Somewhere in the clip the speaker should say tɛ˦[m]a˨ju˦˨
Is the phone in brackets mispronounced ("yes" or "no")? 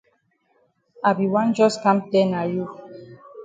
yes